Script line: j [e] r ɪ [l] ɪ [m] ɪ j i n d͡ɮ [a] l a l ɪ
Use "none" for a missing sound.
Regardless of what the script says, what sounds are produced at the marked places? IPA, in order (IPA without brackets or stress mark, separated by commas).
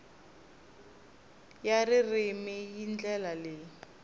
a, r, m, ɛ